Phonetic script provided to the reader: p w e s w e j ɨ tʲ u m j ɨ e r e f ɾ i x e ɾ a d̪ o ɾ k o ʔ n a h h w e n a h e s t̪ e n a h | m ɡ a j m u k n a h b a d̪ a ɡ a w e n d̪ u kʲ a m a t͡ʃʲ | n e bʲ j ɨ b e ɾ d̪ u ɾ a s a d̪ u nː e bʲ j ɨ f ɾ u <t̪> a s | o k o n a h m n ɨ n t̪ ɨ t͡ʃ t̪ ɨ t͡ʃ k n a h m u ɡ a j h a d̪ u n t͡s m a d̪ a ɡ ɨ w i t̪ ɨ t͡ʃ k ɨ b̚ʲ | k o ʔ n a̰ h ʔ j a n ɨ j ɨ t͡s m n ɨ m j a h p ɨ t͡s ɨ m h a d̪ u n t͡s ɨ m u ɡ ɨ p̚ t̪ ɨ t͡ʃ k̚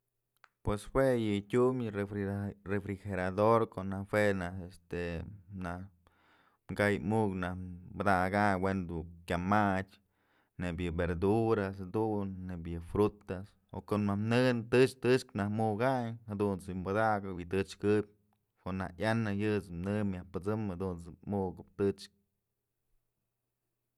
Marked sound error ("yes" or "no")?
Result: no